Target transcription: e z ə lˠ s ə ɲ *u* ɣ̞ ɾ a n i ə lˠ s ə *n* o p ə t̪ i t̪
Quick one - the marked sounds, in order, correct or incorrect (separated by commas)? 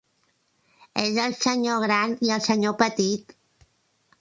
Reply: incorrect, incorrect